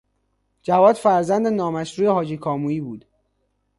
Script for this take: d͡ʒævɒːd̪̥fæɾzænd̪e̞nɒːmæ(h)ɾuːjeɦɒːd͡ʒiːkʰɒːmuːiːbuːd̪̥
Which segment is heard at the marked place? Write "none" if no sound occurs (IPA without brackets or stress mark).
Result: ʃ